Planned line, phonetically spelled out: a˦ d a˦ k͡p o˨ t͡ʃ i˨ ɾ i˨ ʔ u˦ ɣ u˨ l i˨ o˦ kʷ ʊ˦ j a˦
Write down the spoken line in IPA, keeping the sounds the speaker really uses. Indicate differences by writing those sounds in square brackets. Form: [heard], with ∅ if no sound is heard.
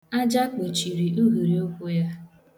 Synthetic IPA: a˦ [d͡ʒ] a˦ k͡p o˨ t͡ʃ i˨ ɾ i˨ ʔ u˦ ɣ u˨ [ɾ] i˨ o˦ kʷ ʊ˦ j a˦